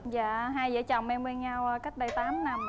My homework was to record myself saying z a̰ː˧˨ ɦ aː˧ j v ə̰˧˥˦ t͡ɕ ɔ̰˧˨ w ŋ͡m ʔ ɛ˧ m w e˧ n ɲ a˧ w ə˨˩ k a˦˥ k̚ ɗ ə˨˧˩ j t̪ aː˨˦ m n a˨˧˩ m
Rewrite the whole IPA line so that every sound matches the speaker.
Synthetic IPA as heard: z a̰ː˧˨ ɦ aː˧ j z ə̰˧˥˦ t͡ɕ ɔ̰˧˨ w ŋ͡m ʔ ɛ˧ m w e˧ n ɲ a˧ w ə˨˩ k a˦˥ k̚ ɗ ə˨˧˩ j t̪ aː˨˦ m n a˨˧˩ m